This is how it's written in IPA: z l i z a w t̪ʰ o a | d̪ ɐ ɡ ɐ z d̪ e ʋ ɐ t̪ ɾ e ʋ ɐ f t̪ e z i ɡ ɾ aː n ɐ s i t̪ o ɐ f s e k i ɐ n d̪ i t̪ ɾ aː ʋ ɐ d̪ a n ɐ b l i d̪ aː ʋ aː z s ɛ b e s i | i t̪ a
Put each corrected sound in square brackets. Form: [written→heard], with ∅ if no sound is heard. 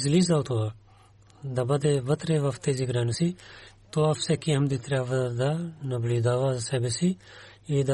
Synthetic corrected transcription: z l i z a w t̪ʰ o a | d̪ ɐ [ɡ→b] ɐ [z→∅] d̪ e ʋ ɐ t̪ ɾ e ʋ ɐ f t̪ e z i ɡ ɾ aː n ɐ s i t̪ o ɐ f s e k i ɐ [n→m] d̪ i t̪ ɾ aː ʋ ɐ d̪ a n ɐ b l i d̪ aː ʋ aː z s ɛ b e s i | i [t̪→d̪] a